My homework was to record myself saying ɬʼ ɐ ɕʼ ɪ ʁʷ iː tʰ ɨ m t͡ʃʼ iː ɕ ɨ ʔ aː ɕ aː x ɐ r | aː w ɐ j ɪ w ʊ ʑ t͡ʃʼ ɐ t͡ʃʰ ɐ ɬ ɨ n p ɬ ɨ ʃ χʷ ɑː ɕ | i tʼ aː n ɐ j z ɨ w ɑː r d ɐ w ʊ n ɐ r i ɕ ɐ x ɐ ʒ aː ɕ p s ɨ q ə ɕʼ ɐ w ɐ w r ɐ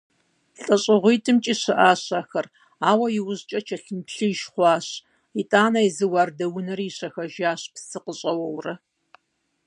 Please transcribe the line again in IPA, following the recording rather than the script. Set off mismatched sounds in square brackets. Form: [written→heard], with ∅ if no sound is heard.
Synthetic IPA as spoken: ɬʼ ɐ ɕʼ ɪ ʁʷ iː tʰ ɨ m t͡ʃʼ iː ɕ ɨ ʔ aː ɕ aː x ɐ r | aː w ɐ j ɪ w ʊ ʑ t͡ʃʼ ɐ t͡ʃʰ ɐ ɬ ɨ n p ɬ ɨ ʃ χʷ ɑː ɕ | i tʼ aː n ɐ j z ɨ w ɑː r d ɐ w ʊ n ɐ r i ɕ ɐ x ɐ ʒ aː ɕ p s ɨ q ə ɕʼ ɐ w ɐ w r ɐ